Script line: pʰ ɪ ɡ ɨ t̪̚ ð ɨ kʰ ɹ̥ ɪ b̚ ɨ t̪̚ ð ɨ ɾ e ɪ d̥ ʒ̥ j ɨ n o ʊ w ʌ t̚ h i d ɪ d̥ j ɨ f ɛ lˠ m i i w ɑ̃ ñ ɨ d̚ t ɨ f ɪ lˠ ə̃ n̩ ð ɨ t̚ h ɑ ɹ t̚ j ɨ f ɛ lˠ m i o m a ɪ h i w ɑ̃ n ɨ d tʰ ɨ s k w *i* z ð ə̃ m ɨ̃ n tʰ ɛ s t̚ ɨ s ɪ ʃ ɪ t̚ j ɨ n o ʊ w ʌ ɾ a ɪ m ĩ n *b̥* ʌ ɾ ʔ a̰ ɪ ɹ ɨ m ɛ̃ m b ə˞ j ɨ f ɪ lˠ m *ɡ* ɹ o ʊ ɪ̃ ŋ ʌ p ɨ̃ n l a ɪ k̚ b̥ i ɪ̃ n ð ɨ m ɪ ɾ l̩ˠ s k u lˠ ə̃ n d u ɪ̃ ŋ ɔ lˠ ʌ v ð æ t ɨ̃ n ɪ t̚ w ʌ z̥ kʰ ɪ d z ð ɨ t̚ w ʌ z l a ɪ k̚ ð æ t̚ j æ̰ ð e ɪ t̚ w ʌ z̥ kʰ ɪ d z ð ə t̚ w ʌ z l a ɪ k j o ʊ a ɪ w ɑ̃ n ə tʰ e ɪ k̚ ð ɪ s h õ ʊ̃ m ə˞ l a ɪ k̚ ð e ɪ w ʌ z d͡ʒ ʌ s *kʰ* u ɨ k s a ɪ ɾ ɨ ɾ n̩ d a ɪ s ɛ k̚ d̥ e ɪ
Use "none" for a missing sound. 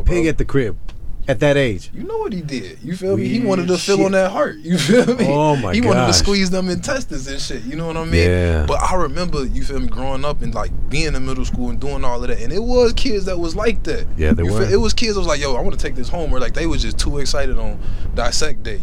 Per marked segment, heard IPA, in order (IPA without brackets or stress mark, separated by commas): i, b̥, ɡ, tʰ